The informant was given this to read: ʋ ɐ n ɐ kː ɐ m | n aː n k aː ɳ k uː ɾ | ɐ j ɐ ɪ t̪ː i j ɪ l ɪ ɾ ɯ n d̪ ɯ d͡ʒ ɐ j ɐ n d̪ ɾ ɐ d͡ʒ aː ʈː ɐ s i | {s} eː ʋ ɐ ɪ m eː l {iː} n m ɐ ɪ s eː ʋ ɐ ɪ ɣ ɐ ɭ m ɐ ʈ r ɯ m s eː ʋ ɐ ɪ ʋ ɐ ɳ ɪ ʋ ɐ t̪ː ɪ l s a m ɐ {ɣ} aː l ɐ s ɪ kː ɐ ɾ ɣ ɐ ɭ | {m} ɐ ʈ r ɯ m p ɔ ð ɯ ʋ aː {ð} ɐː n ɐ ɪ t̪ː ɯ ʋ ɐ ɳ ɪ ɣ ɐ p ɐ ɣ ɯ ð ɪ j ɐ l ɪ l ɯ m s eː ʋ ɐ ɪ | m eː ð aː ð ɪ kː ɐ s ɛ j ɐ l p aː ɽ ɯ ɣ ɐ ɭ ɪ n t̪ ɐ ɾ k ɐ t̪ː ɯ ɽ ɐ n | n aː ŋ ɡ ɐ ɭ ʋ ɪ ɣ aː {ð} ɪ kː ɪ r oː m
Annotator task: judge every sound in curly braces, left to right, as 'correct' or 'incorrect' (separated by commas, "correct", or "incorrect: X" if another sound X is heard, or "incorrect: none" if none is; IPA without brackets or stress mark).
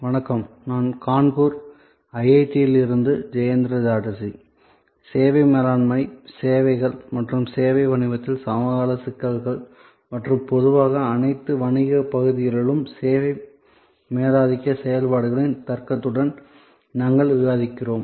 correct, incorrect: aː, correct, correct, incorrect: ɣ, correct